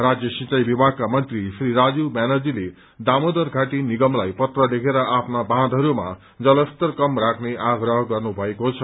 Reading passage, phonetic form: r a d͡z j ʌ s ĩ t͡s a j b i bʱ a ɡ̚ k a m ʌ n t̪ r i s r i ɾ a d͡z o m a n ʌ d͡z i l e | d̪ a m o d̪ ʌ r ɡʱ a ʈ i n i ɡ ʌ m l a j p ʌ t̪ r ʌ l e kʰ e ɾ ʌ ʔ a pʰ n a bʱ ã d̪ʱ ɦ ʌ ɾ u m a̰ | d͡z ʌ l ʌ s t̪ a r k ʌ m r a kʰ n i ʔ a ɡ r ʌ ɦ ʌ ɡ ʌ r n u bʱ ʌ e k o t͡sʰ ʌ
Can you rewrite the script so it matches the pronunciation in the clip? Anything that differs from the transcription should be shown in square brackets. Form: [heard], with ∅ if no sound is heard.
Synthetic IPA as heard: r a d͡z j ʌ s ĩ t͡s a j b i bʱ a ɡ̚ k a m ʌ n t̪ r i s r i ɾ a d͡z [u] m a n ʌ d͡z i l e | d̪ a m o d̪ ʌ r ɡʱ a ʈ i n i ɡ ʌ m l a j p ʌ t̪ r ʌ l e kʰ e ɾ ʌ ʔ a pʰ n a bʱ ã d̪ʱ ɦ ʌ ɾ u m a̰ | d͡z ʌ l ʌ s t̪ [ʌ] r k ʌ m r a kʰ n [e] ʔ a ɡ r ʌ ɦ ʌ ɡ ʌ r n u bʱ ʌ e k o t͡sʰ ʌ